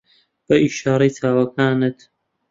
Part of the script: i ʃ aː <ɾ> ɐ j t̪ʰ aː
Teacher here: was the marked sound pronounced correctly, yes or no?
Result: yes